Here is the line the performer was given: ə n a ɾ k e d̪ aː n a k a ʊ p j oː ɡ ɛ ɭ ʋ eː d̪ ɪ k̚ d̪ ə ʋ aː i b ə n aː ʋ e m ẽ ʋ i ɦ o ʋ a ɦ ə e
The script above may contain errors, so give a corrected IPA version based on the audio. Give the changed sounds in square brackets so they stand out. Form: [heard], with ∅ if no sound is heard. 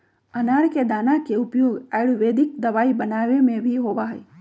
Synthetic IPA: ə n a ɾ k e d̪ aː n a k [e] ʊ p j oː ɡ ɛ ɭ ʋ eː d̪ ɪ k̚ d̪ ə ʋ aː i b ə n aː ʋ e m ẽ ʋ i ɦ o ʋ a ɦ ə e